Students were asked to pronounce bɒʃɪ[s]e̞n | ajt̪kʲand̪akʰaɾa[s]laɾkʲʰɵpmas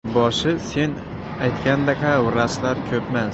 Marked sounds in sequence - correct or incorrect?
correct, correct

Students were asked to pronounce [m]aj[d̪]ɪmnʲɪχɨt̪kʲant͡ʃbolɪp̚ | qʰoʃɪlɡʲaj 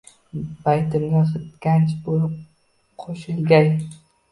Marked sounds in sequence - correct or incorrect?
incorrect: b, incorrect: t̪

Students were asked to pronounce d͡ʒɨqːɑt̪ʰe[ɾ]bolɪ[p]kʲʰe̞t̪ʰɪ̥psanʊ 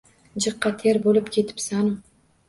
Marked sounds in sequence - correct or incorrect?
correct, correct

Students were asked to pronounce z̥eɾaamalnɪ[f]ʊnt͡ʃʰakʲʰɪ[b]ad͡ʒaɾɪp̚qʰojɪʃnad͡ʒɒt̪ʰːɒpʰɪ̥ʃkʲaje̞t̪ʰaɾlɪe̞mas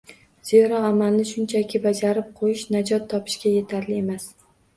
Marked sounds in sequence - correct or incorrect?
incorrect: ʃ, correct

